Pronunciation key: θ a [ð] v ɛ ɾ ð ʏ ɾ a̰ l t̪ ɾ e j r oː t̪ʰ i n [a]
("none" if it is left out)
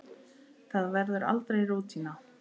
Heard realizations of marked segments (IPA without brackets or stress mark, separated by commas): ð, a